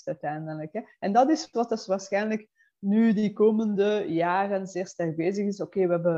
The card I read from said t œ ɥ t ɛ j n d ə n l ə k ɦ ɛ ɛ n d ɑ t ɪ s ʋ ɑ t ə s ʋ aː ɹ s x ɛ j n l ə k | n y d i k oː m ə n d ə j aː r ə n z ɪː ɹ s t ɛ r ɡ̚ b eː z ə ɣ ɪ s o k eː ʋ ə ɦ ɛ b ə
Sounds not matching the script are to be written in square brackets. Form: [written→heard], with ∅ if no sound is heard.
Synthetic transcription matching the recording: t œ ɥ t ɛ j n d ə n l ə k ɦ ɛ ɛ n d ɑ t ɪ s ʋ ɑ t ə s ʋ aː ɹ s x ɛ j n l ə k | n y d i k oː m ə n d ə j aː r ə n z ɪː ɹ s t ɛ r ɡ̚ b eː z ə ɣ ɪ s o k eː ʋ ə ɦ ɛ b ə